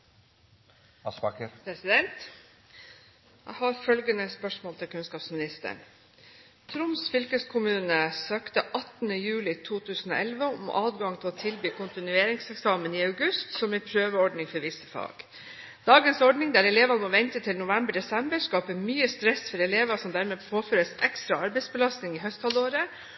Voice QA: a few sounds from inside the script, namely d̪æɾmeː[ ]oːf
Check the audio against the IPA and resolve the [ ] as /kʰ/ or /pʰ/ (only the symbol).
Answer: pʰ